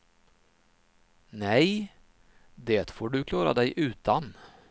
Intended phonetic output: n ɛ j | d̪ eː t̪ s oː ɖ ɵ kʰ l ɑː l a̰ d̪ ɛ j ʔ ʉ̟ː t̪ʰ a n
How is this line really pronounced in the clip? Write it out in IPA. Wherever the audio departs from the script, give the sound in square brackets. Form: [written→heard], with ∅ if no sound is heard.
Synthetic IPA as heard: n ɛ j | d̪ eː t̪ [s→f] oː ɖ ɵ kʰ l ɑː [l→ɾ] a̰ d̪ ɛ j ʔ ʉ̟ː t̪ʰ a n